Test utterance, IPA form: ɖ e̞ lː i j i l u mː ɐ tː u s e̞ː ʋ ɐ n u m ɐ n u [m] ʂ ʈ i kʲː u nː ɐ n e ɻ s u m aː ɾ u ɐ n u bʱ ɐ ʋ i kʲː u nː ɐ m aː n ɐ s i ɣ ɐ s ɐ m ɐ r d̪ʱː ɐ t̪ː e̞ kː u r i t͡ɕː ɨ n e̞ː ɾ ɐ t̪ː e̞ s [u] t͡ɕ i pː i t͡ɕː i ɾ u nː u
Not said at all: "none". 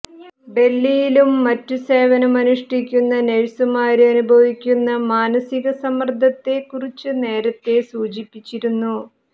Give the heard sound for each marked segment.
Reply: none, uː

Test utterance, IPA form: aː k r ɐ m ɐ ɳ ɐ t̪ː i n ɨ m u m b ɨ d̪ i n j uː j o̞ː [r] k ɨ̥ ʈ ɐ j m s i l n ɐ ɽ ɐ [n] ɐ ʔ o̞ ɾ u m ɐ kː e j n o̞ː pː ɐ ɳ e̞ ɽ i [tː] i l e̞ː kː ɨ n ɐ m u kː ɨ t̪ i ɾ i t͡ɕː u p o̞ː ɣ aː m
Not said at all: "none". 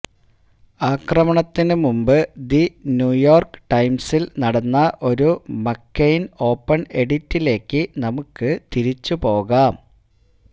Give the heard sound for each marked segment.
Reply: r, nː, tː

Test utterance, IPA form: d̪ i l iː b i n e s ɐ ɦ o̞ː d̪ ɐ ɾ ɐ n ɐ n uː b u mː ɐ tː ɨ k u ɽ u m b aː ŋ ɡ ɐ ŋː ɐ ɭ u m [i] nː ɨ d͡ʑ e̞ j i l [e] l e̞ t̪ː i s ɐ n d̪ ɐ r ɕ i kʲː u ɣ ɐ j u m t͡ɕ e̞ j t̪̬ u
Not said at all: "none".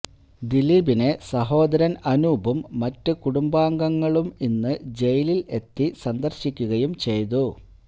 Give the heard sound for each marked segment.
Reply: i, i

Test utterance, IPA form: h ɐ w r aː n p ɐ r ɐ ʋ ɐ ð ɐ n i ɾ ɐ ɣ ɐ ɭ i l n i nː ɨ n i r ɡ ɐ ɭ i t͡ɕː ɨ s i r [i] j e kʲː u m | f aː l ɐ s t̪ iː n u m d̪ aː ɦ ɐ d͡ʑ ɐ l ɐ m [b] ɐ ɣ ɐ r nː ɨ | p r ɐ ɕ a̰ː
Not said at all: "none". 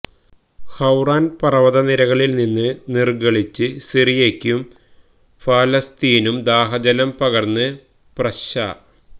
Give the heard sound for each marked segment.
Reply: i, p

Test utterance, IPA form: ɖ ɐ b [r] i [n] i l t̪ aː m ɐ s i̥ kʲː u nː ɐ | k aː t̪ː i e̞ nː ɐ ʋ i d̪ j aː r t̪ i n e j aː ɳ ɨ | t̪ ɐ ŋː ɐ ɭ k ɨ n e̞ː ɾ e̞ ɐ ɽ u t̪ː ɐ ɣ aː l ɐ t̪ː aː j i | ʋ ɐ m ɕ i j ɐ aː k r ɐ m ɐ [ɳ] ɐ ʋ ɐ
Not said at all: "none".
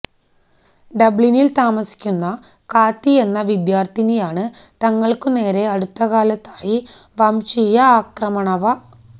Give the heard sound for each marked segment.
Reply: ɭ, n, ɳ

